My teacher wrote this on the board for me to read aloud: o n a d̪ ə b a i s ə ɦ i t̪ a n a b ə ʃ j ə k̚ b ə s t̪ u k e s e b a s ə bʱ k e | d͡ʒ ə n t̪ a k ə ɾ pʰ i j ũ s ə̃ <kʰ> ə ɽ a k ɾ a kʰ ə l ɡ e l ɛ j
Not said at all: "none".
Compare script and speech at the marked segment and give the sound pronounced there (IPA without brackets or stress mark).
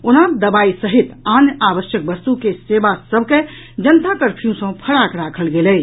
pʰ